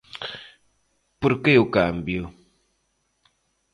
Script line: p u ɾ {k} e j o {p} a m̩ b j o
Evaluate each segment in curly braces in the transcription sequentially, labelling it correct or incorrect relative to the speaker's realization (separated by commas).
correct, incorrect